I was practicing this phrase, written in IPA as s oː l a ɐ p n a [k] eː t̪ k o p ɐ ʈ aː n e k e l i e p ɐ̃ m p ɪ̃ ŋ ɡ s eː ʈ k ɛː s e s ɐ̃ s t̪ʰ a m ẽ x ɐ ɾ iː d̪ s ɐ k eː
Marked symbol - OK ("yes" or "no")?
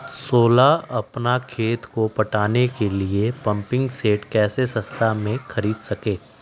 no